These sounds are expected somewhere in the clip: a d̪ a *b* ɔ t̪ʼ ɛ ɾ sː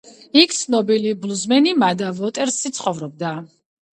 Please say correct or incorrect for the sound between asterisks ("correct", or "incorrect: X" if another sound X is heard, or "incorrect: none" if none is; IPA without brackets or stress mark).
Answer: incorrect: v